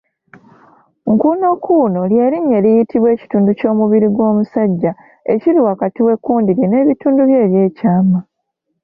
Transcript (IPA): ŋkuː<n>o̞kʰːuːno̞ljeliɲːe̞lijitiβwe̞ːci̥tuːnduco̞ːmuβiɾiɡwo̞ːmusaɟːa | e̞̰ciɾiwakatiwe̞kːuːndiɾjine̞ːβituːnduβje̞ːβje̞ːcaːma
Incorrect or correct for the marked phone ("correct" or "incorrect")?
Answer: correct